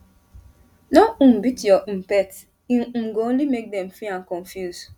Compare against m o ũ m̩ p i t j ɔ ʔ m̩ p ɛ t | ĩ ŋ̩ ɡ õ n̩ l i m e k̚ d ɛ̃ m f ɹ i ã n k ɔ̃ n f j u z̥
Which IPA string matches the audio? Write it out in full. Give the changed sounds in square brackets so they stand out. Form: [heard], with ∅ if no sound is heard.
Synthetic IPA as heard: [n] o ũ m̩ [b] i t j ɔ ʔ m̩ p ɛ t | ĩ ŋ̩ ɡ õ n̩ l i m e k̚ d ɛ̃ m f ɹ i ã n k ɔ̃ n f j u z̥